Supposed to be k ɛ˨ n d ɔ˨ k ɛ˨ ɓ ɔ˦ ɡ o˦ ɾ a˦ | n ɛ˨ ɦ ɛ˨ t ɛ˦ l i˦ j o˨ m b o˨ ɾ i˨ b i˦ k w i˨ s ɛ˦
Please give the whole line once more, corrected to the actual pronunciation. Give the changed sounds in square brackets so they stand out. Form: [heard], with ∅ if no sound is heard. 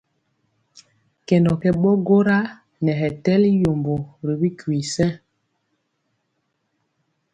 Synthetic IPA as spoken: k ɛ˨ n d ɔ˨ k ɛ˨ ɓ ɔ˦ ɡ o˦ ɾ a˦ | n ɛ˨ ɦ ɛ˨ t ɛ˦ l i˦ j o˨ m b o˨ ɾ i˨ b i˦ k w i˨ s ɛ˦